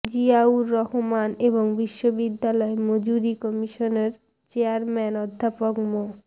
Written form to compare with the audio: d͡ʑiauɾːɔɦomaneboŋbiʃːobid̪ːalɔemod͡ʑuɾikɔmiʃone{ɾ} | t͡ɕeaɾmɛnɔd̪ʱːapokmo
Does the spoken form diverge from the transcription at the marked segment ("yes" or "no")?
no